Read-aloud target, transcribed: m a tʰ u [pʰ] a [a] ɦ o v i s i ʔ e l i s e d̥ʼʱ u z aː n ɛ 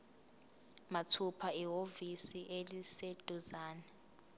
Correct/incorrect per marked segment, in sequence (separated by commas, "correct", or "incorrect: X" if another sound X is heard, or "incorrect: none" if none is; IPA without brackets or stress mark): correct, incorrect: i